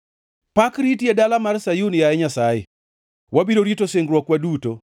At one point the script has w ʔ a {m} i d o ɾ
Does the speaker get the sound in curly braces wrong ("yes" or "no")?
yes